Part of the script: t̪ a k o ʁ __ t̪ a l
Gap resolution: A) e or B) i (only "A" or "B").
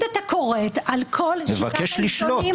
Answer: A